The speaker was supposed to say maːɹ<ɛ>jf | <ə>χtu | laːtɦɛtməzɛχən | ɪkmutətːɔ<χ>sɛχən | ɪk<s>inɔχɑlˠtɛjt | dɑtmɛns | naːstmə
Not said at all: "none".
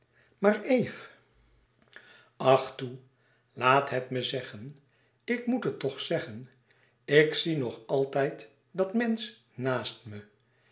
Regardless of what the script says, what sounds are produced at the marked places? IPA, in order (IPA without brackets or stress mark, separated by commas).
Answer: e, ɑ, χ, s